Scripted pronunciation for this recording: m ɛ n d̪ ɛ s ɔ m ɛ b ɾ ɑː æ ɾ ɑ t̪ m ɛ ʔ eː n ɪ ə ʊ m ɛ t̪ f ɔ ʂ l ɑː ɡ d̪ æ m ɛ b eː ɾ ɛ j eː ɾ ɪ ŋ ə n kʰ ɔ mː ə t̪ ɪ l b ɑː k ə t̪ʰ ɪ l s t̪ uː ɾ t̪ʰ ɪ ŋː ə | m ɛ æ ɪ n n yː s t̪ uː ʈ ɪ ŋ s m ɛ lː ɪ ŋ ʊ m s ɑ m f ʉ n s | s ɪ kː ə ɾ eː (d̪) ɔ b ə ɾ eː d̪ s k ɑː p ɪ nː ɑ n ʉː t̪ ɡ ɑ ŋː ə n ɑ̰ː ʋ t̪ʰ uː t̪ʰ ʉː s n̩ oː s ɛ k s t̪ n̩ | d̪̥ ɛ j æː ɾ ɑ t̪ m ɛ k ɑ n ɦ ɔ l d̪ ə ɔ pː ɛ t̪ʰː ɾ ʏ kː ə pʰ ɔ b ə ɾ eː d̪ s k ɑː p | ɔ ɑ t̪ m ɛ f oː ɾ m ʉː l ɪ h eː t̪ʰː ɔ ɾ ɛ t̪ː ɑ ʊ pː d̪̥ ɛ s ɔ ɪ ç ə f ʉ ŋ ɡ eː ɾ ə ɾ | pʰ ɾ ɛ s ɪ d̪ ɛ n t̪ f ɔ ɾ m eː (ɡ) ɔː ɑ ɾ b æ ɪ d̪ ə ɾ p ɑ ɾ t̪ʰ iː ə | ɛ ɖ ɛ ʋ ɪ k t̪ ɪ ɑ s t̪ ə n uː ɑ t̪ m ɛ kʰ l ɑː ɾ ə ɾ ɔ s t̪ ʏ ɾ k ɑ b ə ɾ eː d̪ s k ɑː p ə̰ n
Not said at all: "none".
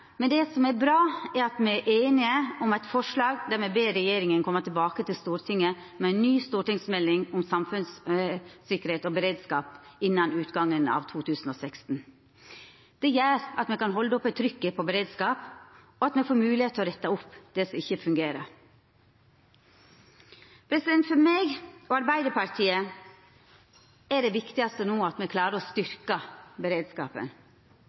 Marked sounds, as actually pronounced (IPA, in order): t̪, ɡ

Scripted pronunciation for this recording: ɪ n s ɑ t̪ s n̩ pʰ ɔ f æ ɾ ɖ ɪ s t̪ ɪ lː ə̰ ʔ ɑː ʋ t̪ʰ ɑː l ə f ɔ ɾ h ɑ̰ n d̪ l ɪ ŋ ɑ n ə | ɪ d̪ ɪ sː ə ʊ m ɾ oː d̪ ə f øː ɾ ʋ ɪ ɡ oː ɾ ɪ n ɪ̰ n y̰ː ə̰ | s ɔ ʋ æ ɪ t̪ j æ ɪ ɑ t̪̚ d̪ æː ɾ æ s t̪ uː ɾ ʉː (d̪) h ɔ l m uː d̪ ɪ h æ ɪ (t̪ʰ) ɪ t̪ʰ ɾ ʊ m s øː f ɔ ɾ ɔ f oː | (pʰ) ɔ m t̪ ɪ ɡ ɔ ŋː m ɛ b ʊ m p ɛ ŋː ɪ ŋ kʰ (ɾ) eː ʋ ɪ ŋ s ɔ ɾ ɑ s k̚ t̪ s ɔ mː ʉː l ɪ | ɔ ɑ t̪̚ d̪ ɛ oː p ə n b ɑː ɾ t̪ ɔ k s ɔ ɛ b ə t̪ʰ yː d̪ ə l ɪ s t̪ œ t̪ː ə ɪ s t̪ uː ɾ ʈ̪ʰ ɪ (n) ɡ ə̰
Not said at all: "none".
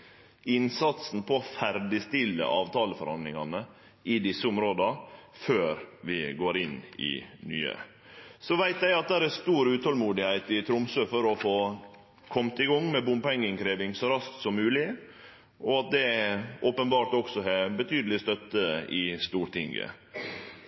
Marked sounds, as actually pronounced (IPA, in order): t̪, t̪, kʰ, ɾ, ŋ

